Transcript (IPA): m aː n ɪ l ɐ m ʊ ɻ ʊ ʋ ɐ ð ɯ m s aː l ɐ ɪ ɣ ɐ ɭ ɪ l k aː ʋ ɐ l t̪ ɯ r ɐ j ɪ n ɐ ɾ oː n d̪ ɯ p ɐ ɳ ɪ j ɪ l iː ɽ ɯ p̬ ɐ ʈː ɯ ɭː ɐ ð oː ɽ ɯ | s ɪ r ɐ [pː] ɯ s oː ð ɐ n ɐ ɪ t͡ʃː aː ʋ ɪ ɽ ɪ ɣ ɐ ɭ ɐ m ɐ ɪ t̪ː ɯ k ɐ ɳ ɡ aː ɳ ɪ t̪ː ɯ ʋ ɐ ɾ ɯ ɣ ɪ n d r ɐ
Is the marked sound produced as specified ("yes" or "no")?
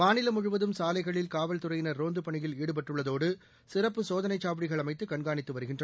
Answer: yes